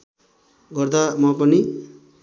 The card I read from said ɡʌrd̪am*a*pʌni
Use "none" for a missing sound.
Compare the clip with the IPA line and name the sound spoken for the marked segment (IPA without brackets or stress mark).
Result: ʌ